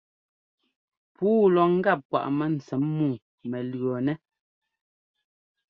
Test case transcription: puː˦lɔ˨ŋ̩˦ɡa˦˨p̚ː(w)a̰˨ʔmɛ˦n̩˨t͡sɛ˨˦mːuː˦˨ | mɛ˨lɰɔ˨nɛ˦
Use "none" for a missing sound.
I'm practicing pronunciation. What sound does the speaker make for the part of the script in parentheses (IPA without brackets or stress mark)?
w